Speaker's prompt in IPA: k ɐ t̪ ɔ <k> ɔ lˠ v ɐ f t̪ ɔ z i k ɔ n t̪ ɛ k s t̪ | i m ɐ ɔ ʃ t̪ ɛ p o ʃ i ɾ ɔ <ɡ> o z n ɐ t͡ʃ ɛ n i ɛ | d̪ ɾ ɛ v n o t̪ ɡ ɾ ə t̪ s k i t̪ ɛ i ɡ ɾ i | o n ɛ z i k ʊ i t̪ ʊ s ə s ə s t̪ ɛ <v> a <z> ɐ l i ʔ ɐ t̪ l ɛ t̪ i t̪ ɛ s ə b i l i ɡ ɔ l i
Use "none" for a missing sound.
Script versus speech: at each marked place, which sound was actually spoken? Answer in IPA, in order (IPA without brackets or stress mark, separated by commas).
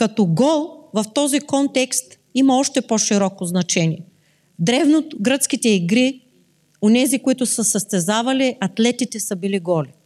ɡ, k, z, v